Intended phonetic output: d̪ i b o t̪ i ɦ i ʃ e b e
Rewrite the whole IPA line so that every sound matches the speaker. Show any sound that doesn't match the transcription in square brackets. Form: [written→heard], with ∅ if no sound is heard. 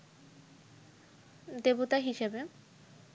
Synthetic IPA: d̪ [i→e] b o t̪ [i→a] ɦ i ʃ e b e